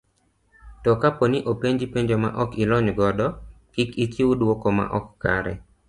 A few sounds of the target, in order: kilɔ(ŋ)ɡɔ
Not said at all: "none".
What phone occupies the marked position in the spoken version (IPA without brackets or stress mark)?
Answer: ɲ